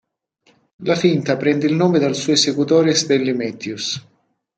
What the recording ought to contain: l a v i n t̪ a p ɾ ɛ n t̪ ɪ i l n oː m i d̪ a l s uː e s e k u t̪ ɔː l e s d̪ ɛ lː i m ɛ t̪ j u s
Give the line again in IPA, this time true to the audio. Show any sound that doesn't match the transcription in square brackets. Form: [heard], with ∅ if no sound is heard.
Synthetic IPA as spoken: l a [f] i n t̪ a p ɾ ɛ n [d̪] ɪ i l n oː m [e] d̪ a l s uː e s e k u t̪ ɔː [ɾ] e s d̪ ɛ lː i m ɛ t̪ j u s